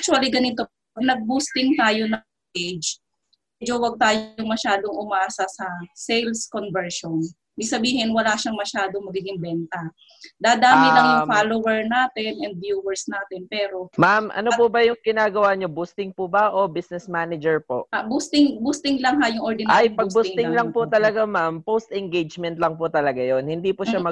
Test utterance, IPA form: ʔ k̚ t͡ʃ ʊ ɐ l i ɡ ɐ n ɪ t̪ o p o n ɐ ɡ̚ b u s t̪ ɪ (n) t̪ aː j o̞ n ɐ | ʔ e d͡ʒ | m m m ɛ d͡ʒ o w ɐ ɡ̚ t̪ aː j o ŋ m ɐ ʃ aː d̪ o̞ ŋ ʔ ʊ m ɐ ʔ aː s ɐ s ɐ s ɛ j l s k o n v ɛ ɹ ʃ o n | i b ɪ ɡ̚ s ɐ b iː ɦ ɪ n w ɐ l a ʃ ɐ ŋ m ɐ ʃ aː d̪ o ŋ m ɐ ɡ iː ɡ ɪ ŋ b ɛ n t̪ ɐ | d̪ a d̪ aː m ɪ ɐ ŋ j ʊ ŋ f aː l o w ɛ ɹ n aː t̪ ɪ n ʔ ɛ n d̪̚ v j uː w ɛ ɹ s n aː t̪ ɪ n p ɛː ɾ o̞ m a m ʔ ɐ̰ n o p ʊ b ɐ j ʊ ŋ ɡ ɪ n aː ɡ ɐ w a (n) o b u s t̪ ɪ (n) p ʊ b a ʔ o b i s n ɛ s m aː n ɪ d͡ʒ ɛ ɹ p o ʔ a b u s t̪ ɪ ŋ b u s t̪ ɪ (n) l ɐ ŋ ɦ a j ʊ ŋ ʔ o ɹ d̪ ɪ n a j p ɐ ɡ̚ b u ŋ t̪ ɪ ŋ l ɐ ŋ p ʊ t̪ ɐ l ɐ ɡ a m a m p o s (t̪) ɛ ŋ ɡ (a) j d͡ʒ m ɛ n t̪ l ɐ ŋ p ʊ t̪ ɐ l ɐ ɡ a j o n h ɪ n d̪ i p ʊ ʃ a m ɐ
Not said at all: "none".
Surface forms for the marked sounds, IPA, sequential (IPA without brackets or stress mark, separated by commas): ŋ, ɲ, ŋ, ŋ, t̪, e